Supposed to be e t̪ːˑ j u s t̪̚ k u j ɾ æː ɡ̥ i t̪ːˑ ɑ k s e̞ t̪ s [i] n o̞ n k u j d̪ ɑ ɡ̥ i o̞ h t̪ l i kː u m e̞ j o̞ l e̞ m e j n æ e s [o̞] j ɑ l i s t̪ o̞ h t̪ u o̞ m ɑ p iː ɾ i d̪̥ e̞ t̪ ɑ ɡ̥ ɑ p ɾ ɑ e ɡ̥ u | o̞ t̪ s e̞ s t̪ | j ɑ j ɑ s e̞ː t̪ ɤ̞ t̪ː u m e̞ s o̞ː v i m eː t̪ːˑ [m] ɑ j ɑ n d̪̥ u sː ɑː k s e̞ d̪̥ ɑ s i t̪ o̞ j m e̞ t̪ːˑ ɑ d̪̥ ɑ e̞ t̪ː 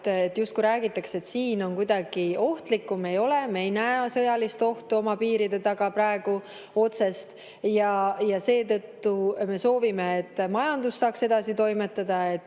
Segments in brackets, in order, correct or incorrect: incorrect, incorrect, correct

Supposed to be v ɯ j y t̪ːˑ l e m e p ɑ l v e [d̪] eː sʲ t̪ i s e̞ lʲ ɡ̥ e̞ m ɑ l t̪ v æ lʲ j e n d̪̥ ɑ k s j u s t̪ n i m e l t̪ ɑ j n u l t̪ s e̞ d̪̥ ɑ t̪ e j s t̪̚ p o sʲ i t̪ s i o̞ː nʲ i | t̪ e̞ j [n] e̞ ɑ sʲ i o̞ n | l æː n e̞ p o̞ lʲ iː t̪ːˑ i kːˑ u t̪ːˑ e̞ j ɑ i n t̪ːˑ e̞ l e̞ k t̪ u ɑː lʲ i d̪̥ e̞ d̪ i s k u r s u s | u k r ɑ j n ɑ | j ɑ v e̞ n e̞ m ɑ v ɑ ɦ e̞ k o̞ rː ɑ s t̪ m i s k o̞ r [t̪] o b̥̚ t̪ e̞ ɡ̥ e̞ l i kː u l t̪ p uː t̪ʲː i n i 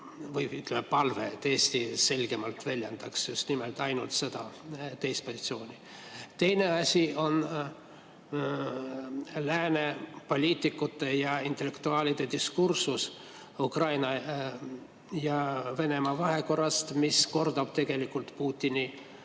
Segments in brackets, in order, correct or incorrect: incorrect, correct, incorrect

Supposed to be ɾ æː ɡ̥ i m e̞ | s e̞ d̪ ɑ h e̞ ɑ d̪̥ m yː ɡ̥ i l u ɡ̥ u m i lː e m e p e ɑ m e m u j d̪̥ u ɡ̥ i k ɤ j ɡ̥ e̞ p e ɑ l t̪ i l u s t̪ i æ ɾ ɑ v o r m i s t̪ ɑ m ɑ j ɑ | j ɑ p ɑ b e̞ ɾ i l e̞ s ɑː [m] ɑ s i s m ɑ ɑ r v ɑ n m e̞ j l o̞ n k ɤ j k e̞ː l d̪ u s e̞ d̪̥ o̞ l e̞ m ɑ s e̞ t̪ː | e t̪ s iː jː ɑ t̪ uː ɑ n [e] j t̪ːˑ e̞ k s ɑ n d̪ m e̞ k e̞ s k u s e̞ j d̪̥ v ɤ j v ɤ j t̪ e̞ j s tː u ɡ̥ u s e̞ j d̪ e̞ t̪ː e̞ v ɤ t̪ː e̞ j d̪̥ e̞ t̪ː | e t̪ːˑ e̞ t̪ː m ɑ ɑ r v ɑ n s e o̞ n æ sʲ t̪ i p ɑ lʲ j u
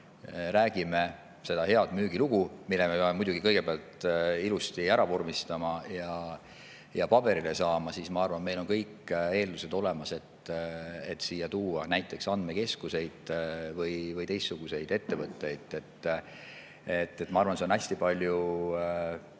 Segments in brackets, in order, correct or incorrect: correct, incorrect

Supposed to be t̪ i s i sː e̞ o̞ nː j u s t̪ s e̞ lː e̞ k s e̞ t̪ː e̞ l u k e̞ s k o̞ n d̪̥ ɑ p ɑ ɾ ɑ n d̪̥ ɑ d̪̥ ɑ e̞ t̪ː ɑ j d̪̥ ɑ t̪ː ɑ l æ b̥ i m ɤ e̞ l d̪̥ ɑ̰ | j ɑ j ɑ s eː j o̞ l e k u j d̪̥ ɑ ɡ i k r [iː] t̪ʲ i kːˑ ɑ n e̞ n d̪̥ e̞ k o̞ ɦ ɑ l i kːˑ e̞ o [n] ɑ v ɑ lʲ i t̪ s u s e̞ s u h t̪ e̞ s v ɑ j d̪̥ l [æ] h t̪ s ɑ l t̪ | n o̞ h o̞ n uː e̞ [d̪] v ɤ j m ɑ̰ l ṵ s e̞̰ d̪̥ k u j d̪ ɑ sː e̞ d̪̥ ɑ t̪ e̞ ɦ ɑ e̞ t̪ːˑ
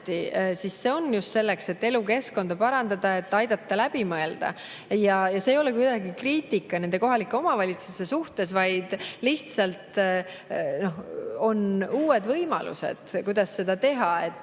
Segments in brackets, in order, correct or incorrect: correct, incorrect, incorrect, correct

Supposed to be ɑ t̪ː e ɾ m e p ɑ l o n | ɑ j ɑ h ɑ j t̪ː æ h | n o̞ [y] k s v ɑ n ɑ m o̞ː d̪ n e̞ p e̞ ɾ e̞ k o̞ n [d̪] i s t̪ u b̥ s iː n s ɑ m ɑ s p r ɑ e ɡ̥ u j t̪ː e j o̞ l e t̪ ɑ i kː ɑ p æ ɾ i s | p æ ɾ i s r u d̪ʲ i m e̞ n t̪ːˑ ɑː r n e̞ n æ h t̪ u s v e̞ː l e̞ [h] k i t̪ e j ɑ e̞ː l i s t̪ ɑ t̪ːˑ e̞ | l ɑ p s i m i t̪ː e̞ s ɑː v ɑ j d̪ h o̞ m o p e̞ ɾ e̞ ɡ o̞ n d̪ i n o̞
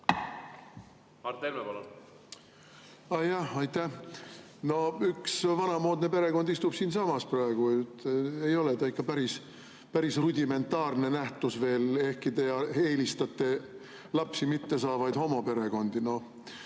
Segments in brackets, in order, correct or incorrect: correct, correct, correct

